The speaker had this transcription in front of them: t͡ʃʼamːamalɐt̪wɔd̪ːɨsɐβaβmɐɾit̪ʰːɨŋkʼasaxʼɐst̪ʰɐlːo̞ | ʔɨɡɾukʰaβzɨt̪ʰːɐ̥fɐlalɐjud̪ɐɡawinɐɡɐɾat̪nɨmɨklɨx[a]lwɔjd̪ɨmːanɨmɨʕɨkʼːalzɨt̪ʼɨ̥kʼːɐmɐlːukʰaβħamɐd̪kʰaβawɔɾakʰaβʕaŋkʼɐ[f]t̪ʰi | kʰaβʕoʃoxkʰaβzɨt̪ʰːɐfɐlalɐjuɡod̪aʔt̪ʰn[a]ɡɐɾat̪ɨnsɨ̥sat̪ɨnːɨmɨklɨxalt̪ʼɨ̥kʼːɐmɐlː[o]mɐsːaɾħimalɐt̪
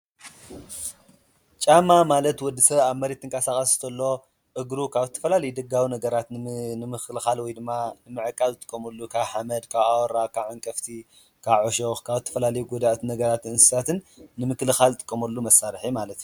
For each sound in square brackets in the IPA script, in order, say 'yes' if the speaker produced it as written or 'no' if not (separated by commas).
yes, yes, no, no